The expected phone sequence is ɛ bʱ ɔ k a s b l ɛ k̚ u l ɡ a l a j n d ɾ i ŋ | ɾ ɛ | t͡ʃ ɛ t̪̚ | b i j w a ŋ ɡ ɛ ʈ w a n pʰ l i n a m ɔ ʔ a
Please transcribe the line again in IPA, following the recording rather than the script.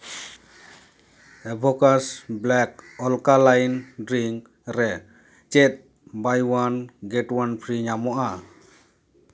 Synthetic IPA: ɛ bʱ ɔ k a s b l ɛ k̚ ɔ l k a l a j n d ɾ i ŋ | ɾ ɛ | t͡ʃ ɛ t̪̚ | b a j w a n ɡ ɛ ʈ w a n pʰ ɾ i ɲ a m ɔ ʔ a